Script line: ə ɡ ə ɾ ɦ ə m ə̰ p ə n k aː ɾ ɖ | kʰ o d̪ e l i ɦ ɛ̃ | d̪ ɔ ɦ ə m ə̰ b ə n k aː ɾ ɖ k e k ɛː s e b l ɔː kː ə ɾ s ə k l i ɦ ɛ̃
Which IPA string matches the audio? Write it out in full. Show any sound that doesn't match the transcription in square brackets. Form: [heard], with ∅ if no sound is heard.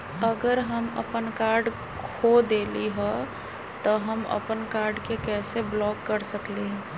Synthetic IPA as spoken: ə ɡ ə ɾ ɦ ə m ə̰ p ə n k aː ɾ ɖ | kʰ o d̪ e l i ɦ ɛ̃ | [t̪] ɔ ɦ ə m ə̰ [p] ə n k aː ɾ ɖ k e k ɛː s e b l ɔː kː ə ɾ s ə k l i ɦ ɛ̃